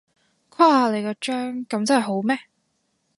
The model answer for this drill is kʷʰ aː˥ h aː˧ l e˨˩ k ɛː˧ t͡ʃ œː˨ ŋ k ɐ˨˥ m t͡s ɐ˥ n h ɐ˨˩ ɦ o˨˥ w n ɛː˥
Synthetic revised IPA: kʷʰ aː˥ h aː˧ l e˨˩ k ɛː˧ t͡ʃ œː˥ ŋ k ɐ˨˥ m t͡s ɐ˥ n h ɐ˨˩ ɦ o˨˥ w m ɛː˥